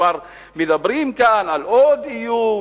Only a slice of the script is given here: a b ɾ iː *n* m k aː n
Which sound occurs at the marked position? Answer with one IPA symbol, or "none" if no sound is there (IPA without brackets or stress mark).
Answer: none